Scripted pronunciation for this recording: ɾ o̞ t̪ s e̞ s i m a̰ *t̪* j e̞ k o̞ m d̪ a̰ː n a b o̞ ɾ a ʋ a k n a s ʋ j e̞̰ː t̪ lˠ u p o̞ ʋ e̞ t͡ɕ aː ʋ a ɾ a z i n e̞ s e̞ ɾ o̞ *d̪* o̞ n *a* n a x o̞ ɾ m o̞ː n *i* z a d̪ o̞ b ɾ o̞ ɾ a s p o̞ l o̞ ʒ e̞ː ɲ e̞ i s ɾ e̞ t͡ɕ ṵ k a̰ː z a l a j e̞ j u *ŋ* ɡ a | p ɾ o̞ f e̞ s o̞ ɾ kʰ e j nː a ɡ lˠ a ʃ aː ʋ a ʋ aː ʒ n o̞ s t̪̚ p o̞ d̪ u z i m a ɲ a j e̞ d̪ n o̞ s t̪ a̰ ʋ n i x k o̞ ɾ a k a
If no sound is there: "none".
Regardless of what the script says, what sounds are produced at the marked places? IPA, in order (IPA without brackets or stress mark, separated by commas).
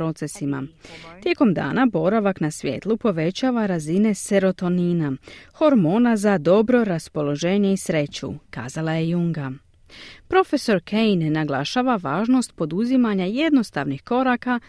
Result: t̪, t̪, i, a, ŋ